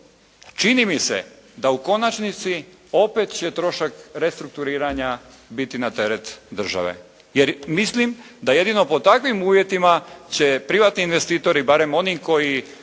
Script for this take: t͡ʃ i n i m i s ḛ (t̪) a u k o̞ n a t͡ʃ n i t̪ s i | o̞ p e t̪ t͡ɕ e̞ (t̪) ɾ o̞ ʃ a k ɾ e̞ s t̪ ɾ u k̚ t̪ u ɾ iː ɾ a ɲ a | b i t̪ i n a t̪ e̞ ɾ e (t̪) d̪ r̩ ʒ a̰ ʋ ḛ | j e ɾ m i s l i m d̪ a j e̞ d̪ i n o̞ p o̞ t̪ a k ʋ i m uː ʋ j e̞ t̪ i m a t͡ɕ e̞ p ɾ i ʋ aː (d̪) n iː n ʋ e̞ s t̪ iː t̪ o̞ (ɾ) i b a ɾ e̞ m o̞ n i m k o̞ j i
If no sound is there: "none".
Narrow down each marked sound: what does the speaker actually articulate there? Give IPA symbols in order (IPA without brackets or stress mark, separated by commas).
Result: d̪, t̪, t̪, t̪, ɾ